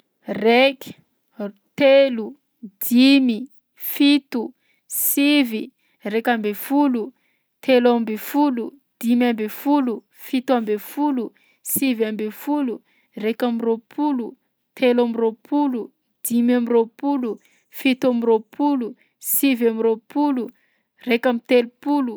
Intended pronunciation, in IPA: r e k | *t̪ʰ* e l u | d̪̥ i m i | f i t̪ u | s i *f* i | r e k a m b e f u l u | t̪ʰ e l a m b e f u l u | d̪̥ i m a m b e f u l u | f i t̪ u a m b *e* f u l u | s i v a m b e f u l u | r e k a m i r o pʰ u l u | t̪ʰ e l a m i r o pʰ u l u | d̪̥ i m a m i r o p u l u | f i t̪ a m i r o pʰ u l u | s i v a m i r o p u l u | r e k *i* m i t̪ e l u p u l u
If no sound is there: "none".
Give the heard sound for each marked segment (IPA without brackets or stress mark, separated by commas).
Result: t̪, v, e, a